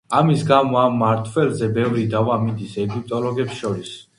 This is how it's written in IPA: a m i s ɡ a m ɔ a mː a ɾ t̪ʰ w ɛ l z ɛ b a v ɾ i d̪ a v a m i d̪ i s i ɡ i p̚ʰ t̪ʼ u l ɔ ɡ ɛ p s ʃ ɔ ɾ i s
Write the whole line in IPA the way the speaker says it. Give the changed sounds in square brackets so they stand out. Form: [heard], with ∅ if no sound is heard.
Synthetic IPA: a m i s ɡ a m ɔ a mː a ɾ t̪ʰ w ɛ l z ɛ b [ɛ] v ɾ i d̪ a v a m i d̪ i s [ɛ] ɡ i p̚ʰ t̪ʼ [ɔ] l ɔ ɡ ɛ p s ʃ ɔ ɾ i s